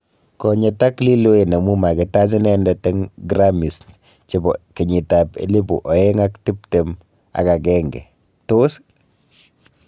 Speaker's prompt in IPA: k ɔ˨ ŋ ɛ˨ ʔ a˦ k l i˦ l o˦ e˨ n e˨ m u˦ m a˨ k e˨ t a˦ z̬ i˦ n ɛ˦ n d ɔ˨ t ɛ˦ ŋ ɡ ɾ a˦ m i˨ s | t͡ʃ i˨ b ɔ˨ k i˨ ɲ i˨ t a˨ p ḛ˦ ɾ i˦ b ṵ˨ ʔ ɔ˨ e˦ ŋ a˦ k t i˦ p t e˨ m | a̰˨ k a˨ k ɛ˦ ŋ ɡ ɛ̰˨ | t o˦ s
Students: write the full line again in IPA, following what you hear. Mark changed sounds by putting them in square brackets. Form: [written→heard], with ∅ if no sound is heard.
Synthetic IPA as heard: k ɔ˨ [ŋ→ɲ] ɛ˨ [ʔ→t] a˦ k l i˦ l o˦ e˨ n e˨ m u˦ m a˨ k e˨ t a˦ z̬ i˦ n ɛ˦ n d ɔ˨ t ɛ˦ ŋ ɡ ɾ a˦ m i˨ s | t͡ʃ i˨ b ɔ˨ k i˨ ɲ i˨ t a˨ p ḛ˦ [ɾ→l] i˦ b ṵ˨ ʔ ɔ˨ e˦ ŋ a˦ k t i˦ p t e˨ m | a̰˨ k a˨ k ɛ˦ ŋ ɡ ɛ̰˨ | t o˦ s

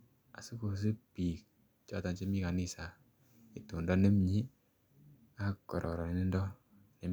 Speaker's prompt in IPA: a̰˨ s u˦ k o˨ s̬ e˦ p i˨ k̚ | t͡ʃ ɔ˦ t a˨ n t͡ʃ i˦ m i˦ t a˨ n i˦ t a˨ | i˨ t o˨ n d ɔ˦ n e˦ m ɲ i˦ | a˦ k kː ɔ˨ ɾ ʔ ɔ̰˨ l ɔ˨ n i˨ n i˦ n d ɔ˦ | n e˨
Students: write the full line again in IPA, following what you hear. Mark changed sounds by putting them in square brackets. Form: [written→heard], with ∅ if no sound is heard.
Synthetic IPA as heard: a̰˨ s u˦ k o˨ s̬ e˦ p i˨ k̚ | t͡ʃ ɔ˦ t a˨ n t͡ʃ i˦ m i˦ [t→k] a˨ n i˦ [t→s] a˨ | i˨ t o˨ n d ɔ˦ n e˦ m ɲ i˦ | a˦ k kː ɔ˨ ɾ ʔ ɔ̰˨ [l→ɾ] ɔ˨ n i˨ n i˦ n d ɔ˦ | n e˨

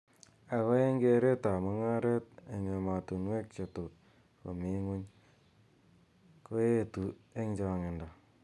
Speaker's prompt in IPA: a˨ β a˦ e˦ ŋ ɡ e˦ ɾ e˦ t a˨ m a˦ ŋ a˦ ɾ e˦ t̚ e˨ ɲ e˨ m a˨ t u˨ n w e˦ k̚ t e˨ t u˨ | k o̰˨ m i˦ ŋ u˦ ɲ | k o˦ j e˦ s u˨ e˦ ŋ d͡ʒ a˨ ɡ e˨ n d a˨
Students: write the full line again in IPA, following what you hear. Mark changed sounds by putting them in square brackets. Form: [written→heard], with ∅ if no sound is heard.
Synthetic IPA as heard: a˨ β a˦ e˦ ŋ ɡ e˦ ɾ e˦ t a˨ m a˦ ŋ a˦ ɾ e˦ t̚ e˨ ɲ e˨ m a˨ t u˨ n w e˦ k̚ [t→t͡ʃ] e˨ t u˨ | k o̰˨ m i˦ ŋ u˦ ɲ | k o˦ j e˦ [s→t] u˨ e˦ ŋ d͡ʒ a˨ [ɡ→ŋ] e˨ n d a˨

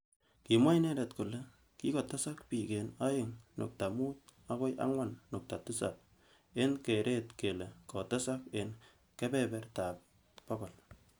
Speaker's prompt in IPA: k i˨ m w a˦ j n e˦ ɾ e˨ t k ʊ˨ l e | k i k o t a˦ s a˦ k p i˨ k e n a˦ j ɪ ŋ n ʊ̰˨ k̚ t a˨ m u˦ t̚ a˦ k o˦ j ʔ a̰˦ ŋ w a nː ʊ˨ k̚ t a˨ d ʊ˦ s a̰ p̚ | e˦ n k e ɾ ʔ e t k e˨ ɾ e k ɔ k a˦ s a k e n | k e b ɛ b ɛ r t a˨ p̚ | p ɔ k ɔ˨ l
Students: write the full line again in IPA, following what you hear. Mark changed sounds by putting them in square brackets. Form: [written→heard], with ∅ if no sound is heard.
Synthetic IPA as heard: k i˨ m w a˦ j n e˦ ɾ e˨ t k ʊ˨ l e | k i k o t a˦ s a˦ k p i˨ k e n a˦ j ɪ ŋ n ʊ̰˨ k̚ t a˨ m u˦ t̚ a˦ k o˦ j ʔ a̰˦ ŋ w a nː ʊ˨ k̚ t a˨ [d→t] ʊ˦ s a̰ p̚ | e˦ n k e ɾ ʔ e t k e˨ [ɾ→l] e k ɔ [k→t] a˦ s a k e n | k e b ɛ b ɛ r t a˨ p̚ | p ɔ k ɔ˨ l

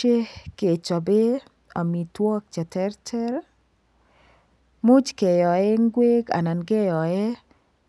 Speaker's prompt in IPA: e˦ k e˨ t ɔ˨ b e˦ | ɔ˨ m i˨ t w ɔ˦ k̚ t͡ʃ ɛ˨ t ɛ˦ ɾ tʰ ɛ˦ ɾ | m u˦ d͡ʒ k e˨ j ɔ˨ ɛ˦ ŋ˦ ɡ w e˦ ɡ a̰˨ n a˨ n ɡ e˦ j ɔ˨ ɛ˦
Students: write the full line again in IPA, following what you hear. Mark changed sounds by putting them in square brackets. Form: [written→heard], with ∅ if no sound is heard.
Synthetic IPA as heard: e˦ k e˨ [t→t͡ʃ] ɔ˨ b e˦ | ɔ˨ m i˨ t w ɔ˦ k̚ t͡ʃ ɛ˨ t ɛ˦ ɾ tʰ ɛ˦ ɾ | m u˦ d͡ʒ k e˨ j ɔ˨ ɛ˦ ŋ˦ ɡ w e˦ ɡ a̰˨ n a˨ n ɡ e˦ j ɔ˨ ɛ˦

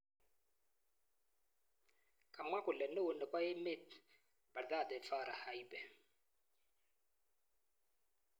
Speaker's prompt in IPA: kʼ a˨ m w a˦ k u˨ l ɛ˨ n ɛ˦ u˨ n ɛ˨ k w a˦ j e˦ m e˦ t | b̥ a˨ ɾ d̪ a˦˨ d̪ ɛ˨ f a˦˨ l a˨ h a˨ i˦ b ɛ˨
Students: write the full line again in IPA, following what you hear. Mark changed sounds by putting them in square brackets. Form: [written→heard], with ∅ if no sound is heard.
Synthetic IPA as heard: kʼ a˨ m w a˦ k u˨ l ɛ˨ n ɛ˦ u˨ n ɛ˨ k w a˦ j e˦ m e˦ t | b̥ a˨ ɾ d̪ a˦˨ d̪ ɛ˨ f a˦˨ [l→ɾ] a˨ h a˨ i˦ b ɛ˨

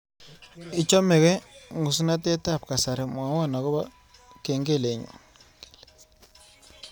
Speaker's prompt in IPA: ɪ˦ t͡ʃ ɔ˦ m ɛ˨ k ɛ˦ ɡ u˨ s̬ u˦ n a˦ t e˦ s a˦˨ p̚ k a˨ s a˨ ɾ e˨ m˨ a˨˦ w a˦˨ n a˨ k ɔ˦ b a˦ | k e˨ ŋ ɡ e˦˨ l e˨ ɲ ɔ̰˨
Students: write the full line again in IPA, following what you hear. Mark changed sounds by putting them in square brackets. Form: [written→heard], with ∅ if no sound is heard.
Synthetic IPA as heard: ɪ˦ t͡ʃ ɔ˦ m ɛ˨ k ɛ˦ [ɡ→ŋ] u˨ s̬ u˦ n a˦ t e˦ [s→t] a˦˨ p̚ k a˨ s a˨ ɾ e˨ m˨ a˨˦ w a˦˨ n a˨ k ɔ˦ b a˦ | k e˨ ŋ ɡ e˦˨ l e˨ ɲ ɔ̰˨

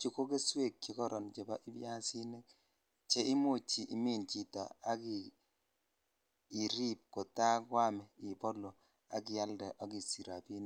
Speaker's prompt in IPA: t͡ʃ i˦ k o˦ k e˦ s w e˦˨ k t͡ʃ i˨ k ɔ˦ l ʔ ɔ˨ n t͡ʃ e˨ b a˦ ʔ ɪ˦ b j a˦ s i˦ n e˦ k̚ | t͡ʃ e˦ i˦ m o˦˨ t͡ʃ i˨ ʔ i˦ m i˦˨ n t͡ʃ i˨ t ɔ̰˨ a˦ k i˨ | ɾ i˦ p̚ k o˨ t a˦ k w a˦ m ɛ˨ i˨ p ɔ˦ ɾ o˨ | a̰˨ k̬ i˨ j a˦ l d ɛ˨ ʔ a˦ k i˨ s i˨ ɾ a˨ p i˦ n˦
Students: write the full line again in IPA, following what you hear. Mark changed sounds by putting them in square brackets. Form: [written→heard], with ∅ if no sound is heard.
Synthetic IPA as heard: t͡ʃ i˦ k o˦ k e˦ s w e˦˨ k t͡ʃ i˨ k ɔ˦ [l→ɾ] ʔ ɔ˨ n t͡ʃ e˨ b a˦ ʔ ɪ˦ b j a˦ s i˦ n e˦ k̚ | t͡ʃ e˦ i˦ m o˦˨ t͡ʃ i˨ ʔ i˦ m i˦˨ n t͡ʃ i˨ t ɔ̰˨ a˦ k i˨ | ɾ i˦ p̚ k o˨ t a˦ k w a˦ m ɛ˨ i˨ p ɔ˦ [ɾ→l] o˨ | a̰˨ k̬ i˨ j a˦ l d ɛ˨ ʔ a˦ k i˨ s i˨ ɾ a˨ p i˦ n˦

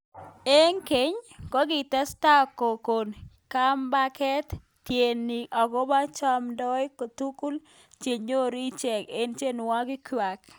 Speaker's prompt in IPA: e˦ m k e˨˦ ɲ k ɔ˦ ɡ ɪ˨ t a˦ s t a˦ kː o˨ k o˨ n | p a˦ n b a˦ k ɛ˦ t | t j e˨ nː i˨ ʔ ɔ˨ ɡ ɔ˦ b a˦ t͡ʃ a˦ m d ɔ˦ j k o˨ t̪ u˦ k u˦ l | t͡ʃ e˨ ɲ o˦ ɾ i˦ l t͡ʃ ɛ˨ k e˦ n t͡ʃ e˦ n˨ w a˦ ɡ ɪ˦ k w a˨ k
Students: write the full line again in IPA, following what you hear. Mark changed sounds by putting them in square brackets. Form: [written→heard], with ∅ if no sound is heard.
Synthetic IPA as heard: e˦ [m→ŋ] k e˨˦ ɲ k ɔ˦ ɡ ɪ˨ t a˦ s t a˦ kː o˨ k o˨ n | [p→k] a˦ [n→m] b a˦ k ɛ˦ t | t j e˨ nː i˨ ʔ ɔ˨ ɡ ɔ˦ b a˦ t͡ʃ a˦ m d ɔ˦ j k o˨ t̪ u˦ k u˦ l | t͡ʃ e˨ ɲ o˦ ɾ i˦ [l→∅] t͡ʃ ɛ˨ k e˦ n t͡ʃ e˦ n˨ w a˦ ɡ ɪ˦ k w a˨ k

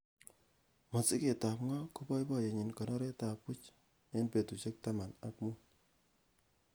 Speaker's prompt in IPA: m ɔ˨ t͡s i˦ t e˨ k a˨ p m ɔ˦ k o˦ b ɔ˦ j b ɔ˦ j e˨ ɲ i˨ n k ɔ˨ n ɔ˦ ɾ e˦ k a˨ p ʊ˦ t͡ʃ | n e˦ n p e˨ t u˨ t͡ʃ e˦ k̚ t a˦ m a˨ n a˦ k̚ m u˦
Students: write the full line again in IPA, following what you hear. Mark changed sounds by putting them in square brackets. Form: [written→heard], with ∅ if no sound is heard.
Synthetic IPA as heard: m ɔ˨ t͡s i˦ [t→k] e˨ [k→t] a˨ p [m→ŋ] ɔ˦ k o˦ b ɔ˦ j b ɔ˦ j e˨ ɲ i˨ n k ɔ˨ n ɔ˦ ɾ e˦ [k→t] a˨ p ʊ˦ t͡ʃ | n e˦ n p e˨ t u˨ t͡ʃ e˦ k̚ t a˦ m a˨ n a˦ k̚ m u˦

